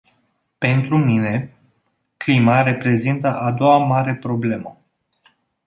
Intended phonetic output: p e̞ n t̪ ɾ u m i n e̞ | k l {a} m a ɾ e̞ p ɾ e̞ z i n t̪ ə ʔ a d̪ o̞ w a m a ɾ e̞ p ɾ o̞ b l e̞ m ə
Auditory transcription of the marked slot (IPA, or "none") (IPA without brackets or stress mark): i